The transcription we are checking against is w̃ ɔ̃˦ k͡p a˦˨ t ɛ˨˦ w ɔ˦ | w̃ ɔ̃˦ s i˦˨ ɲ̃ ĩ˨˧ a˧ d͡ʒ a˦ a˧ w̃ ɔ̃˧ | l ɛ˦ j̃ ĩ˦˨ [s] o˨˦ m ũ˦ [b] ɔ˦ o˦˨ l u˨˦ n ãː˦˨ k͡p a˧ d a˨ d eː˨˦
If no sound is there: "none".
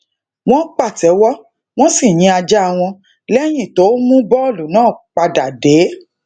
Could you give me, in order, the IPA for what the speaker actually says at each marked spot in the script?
t, b

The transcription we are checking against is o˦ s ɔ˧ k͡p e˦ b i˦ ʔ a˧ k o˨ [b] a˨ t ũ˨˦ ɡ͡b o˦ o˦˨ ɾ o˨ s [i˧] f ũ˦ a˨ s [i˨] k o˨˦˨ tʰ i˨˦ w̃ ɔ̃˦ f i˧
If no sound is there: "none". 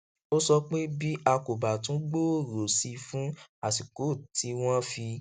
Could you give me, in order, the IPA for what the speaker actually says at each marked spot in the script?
b, i˧, i˨

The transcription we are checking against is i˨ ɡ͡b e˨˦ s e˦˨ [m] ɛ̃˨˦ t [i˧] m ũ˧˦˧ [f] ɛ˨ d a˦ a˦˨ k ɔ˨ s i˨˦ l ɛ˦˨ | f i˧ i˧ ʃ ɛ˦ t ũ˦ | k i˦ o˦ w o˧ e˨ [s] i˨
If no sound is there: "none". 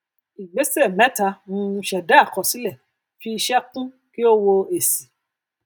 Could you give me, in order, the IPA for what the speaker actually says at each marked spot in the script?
m, a˧, ʃ, s

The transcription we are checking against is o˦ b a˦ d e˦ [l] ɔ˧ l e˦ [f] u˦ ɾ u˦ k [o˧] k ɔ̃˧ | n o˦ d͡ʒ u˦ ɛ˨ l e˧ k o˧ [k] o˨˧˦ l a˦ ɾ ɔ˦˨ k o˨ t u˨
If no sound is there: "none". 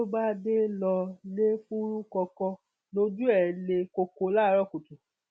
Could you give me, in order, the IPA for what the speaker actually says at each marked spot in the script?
l, f, ɔ˧, k

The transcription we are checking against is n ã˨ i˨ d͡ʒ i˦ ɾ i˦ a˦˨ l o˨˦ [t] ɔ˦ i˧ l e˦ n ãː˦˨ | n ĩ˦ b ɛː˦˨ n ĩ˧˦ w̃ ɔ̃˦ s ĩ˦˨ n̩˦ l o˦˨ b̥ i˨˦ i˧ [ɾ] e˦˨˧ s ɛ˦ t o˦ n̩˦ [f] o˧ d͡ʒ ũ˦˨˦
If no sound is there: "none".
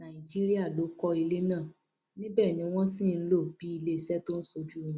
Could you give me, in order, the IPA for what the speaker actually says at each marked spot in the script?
k, l, s

